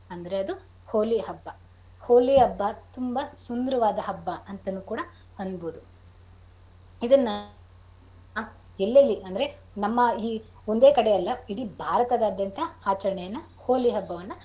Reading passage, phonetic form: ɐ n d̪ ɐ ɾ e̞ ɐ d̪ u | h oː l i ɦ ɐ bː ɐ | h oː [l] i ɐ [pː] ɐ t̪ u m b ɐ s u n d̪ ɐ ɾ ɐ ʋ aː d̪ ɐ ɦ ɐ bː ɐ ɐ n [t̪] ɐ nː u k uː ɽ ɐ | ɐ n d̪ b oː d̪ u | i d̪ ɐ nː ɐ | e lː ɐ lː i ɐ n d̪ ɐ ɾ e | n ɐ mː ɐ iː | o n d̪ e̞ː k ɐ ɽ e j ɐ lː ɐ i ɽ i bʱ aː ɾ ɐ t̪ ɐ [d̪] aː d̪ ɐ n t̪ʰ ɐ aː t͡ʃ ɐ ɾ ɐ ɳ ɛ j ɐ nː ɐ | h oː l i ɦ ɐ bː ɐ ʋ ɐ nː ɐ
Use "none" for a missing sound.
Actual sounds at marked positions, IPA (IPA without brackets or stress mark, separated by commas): l, bː, t̪, d̪